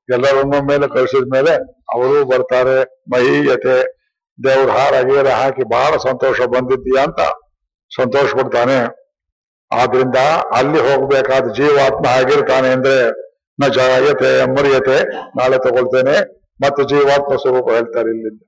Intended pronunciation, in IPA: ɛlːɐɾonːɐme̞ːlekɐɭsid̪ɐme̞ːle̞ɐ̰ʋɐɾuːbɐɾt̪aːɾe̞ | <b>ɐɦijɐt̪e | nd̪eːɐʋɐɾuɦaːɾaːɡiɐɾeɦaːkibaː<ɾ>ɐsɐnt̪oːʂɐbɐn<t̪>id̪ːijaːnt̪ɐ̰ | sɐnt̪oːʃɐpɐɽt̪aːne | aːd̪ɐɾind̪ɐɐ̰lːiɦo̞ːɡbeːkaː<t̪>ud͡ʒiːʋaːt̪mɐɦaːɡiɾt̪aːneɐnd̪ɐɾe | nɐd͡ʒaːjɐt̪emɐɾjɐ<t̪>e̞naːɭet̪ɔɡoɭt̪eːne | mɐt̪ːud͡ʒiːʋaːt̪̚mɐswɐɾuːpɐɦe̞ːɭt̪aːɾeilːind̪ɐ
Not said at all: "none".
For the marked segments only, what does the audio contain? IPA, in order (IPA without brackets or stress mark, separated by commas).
m, ɭ, d̪, d̪, t̪